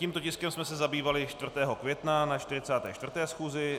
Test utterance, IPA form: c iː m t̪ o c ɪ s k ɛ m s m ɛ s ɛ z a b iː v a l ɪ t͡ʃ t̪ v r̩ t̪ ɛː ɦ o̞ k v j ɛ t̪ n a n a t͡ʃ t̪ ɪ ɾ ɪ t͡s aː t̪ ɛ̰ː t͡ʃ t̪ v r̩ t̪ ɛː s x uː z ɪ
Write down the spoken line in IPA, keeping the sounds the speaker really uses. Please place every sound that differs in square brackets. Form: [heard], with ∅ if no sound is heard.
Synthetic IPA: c iː m t̪ o c ɪ s k ɛ m s m ɛ s ɛ z a b iː v a l ɪ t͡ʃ t̪ v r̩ t̪ ɛː ɦ o̞ k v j ɛ t̪ n a n a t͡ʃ t̪ ɪ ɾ ɪ t͡s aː t̪ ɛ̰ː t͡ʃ t̪ v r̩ t̪ ɛː s x uː z ɪ